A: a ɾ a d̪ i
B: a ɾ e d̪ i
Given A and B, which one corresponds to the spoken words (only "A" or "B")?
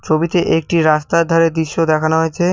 B